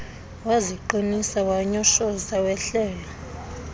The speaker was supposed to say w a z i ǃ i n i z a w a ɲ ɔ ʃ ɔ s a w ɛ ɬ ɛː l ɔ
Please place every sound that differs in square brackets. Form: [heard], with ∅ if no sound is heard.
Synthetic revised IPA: w a z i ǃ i n i [s] a w a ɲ ɔ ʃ ɔ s a w ɛ ɬ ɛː l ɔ